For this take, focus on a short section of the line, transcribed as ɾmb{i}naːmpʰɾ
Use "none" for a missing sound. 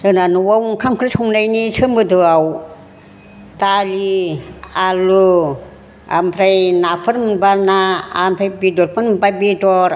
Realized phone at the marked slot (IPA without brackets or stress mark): a